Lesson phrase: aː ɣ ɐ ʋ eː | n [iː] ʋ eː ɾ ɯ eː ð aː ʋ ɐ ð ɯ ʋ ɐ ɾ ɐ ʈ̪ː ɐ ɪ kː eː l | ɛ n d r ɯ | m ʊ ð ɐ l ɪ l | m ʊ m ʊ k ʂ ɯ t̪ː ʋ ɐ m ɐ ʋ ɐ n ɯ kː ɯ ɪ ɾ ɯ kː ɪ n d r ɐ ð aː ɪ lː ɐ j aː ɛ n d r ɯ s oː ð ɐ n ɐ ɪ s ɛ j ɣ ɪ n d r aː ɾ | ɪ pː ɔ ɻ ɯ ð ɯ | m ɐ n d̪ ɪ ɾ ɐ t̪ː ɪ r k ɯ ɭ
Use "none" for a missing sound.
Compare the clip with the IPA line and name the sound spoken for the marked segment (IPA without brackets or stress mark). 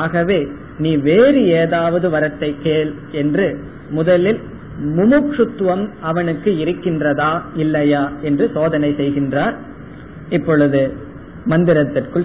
iː